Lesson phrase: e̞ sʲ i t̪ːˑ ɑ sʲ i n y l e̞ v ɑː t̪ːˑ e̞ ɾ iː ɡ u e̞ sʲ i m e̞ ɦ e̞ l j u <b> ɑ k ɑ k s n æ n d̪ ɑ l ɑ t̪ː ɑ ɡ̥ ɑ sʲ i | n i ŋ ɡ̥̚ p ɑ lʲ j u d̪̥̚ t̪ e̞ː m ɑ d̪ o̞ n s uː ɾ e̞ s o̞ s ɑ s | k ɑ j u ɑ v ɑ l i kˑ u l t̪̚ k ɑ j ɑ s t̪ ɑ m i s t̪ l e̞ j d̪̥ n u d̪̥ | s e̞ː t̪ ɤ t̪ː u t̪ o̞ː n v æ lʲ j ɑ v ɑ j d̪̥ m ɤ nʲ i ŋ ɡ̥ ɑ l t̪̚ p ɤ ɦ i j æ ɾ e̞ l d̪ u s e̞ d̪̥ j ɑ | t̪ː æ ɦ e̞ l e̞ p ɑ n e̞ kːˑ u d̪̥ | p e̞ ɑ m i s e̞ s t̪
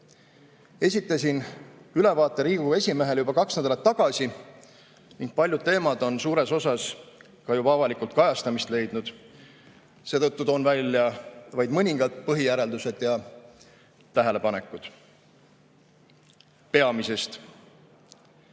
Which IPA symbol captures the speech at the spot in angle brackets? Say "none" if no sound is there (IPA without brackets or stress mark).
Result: b